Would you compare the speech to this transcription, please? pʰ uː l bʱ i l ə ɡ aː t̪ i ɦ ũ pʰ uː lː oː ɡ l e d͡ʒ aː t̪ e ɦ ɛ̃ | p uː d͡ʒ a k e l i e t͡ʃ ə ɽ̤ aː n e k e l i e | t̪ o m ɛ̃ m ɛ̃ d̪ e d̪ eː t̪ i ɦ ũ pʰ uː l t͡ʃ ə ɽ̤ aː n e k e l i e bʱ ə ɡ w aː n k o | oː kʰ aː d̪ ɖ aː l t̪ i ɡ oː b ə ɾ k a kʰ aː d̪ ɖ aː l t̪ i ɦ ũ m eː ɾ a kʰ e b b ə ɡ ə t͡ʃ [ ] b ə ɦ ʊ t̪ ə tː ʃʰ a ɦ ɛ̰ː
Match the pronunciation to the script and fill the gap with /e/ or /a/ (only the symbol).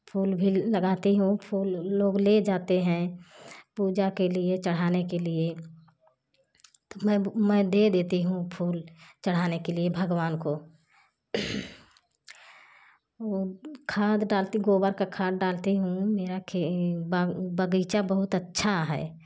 a